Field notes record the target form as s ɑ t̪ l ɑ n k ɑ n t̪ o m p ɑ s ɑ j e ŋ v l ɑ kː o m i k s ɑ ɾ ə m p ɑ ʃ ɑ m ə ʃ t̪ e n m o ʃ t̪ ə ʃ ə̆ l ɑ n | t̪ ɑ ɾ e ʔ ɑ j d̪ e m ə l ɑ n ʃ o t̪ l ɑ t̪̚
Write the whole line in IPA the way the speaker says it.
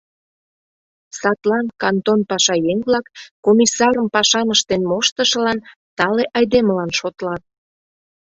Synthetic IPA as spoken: s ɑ t̪ l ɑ n k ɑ n t̪ o n p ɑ ʃ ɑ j e ŋ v l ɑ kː o m i s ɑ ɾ ə m p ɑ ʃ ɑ m ə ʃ t̪ e n m o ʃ t̪ ə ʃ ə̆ l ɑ n | t̪ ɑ l e ʔ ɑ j d̪ e m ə l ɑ n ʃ o t̪ l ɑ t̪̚